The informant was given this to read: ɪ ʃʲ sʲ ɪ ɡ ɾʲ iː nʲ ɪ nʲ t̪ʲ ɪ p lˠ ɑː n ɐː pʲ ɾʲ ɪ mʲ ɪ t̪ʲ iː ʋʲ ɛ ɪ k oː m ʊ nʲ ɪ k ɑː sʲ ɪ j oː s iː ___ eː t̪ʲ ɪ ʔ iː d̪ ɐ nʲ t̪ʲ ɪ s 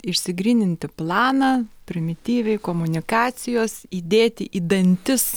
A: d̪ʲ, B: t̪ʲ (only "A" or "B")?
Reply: A